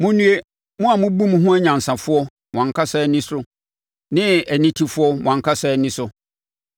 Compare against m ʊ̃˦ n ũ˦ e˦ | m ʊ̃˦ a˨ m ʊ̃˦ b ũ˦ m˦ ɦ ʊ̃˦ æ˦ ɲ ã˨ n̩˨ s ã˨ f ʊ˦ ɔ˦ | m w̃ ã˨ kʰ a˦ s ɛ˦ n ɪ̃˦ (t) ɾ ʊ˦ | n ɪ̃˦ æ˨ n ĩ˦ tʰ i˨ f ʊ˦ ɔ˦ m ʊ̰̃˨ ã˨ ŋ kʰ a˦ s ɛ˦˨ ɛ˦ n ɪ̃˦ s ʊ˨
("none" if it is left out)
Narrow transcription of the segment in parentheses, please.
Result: s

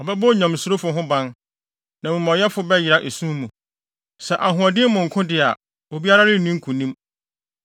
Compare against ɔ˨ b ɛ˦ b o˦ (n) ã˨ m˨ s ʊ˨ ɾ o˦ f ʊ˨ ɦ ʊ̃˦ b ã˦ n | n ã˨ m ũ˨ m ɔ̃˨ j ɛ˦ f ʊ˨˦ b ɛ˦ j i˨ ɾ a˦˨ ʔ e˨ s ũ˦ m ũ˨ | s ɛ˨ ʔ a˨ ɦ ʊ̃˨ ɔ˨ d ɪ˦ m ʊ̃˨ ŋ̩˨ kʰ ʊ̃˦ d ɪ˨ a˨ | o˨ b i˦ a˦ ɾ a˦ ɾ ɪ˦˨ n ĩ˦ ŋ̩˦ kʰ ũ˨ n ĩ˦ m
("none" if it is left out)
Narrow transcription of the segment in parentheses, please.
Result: ɲ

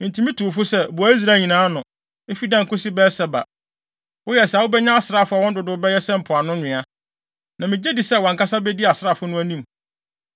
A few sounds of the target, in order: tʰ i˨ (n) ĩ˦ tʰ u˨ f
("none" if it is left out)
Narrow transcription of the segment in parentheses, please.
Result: m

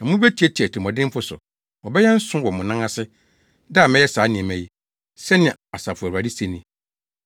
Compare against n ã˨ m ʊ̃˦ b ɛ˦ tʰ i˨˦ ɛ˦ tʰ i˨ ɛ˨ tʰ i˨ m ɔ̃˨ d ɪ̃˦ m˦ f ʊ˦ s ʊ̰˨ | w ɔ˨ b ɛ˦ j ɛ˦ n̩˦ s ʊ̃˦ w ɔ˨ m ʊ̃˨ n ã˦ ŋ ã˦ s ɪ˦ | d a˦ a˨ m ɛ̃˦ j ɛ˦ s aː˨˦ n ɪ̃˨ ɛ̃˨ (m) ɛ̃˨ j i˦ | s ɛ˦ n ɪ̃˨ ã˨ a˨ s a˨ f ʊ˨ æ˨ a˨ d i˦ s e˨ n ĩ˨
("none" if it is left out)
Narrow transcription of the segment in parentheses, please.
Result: m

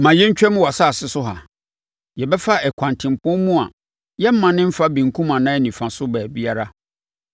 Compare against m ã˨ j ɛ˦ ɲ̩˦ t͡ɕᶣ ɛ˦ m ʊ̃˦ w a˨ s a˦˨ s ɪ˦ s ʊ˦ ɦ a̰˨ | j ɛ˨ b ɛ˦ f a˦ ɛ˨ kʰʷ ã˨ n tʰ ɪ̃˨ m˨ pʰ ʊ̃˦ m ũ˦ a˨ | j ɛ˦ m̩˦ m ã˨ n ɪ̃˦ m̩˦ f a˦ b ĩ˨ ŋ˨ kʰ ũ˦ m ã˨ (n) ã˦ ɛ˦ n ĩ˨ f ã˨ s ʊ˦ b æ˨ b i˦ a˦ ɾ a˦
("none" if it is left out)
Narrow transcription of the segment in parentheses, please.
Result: n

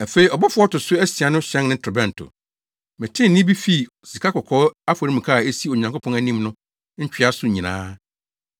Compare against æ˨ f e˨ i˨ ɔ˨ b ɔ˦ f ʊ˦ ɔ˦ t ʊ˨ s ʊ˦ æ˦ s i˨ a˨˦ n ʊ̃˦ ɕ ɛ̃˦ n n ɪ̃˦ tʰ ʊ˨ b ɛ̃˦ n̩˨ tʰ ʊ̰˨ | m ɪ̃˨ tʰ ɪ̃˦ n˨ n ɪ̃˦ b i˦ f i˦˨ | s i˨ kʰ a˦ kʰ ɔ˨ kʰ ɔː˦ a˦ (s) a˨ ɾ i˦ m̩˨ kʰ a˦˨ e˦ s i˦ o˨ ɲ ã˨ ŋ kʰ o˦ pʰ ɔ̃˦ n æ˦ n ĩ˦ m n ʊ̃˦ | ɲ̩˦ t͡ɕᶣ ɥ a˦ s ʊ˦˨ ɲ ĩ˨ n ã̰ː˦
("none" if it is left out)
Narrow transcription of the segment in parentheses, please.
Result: f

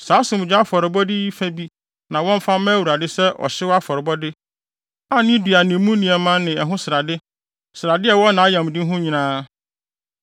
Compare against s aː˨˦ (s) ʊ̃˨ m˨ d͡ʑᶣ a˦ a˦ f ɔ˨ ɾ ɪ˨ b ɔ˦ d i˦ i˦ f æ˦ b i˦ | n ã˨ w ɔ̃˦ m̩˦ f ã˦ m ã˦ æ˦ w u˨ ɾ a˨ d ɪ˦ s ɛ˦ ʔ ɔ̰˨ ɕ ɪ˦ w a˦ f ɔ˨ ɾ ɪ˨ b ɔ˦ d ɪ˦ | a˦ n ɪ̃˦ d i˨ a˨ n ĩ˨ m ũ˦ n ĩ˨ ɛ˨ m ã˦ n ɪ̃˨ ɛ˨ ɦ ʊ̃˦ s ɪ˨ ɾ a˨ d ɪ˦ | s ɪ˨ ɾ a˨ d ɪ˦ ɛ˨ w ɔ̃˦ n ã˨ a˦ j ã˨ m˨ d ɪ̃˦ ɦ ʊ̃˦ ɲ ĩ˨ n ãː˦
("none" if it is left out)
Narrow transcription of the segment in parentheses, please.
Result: s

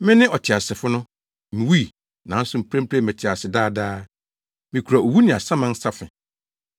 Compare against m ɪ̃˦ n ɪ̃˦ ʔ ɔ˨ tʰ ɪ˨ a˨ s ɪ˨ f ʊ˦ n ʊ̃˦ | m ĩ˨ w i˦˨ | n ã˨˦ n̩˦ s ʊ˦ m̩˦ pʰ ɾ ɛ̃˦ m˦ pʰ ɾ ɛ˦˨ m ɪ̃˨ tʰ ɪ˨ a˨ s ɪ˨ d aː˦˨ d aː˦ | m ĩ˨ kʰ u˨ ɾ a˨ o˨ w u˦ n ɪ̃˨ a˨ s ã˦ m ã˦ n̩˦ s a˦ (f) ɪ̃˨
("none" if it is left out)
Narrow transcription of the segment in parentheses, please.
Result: f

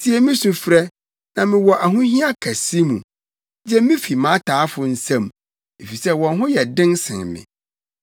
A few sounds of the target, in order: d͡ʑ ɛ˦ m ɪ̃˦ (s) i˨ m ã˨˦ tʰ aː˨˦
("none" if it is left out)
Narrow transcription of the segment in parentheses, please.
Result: f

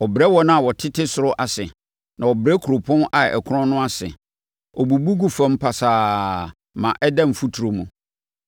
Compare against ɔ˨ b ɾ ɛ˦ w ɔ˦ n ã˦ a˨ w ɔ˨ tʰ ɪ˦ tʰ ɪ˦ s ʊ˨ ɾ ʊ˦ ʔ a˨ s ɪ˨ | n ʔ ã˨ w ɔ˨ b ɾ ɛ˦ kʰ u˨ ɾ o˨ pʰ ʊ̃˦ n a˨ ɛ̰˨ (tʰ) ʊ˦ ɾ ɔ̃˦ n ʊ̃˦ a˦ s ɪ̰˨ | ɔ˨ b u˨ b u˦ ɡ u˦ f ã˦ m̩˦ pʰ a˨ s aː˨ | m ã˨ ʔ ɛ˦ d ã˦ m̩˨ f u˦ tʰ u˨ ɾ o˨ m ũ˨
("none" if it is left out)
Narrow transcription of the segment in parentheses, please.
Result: kʰ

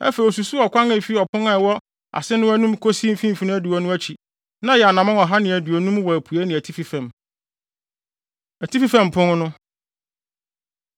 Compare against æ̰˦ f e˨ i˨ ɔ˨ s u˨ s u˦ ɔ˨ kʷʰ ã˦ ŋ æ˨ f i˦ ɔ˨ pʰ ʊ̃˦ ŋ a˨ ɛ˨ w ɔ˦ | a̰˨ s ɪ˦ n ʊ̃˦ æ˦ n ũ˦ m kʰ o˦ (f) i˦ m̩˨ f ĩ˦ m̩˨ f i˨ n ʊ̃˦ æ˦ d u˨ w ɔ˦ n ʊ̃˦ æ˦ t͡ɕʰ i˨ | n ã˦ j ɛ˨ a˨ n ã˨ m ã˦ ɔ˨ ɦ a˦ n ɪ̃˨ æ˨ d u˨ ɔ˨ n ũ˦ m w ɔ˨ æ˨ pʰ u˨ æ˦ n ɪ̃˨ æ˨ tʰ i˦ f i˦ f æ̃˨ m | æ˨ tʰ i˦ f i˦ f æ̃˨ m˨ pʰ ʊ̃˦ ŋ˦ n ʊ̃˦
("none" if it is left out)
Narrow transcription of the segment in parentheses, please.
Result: s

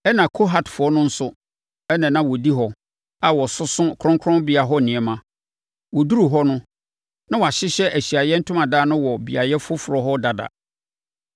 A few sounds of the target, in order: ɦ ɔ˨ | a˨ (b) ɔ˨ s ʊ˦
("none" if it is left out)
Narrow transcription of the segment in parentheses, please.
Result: w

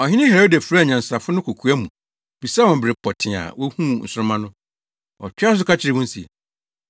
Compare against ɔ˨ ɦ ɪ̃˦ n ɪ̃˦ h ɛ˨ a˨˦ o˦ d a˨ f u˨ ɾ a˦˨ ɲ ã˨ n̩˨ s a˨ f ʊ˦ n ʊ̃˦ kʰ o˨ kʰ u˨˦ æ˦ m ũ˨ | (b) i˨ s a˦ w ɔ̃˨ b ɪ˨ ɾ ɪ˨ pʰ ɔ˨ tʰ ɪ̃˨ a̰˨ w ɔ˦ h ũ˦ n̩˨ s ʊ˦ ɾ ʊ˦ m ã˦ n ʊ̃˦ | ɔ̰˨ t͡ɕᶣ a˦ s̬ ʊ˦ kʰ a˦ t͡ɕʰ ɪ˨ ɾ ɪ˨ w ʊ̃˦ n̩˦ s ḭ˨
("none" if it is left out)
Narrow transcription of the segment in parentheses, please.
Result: b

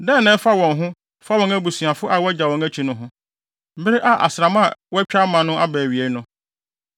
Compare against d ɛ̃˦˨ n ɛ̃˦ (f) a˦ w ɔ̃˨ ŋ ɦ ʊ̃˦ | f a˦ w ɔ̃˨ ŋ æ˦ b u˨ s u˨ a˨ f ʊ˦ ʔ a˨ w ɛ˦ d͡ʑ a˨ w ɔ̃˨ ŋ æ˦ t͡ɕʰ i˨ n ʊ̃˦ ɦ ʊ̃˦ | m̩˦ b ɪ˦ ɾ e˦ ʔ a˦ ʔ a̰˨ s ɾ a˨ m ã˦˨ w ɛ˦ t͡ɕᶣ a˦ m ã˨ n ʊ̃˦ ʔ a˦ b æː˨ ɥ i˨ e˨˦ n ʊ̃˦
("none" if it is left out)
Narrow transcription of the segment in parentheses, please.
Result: f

